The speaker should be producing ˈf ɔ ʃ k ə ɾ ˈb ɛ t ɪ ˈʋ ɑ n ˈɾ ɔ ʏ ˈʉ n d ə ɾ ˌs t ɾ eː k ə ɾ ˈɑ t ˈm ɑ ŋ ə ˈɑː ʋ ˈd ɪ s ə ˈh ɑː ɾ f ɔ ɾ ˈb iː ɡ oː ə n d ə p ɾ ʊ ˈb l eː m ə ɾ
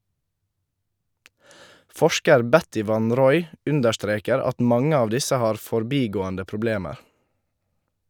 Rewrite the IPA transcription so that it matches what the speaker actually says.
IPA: ˈf ɔ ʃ k ə ɾ ˈb ɛ t ɪ ˈʋ ɑ n ˈɾ ɔ ʏ ˈʉ n d ə ɾ ˌs t ɾ eː k ə ɾ ˈɑ t ˈm ɑ ŋ ə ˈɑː ʋ ˈd ɪ s ə ˈh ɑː ɾ f ɔ ɾ ˈb iː ɡ oː ə n d ə p ɾ ʊ ˈb l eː m ə ɾ